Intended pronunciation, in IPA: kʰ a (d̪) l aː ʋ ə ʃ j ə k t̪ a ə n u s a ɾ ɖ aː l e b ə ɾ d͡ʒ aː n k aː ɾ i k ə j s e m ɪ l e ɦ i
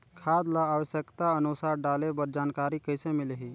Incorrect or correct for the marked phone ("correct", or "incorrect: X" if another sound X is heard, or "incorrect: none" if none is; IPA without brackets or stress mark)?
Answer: correct